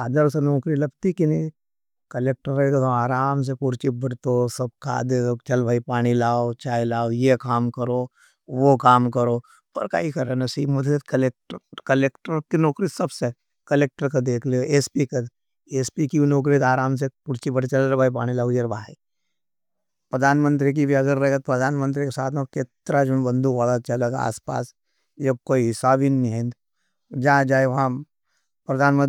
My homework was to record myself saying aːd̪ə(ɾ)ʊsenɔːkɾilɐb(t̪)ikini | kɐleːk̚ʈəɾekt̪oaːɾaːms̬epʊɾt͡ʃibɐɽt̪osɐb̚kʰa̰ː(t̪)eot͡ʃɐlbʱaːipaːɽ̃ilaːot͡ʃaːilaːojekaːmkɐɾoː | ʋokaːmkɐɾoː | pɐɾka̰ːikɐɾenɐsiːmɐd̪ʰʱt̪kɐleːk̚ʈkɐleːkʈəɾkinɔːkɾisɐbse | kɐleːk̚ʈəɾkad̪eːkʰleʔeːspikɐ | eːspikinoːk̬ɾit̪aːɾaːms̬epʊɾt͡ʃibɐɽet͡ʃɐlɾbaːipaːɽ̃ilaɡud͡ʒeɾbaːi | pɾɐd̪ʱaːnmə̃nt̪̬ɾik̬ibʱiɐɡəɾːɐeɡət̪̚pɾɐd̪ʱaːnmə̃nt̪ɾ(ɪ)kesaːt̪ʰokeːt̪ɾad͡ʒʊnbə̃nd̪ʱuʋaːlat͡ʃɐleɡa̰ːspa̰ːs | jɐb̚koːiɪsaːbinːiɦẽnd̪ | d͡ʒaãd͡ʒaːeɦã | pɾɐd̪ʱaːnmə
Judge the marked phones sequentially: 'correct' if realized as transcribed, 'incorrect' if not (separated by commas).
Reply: correct, correct, incorrect, incorrect